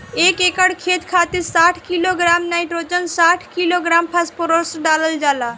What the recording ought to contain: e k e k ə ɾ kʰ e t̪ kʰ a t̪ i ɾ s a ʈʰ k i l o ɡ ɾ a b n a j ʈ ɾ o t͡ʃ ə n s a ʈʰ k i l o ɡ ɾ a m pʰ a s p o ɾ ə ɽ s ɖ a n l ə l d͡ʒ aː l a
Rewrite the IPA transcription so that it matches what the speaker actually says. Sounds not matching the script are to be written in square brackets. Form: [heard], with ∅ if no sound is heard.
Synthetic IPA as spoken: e k e k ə [ɽ] kʰ e t̪ kʰ a t̪ i ɾ s a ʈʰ k i l o ɡ ɾ a [m] n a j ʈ ɾ o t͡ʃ ə n s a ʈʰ k i l o ɡ ɾ a m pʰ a s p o ɾ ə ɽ s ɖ a [∅] l ə l d͡ʒ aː l a